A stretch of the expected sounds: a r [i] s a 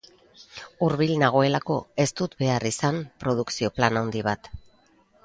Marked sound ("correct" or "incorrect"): correct